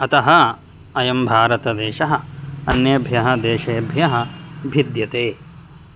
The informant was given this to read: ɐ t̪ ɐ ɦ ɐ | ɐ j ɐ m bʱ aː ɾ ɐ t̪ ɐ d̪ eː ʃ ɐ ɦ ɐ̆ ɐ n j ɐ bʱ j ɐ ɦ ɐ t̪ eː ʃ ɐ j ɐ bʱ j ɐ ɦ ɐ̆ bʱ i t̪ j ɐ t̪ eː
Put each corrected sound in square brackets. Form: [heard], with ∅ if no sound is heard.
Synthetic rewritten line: ɐ t̪ ɐ ɦ ɐ | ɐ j ɐ m bʱ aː ɾ ɐ t̪ ɐ d̪ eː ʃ ɐ ɦ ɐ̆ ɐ n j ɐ bʱ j ɐ ɦ ɐ [d̪] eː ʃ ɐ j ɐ bʱ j ɐ ɦ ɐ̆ bʱ i [d̪] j ɐ t̪ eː